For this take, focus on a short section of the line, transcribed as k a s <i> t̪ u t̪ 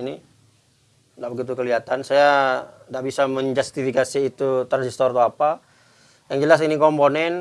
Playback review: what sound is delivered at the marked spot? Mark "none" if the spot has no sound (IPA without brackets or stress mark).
iː